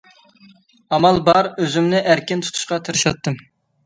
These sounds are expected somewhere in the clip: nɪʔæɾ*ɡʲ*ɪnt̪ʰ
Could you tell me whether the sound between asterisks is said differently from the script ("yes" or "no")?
yes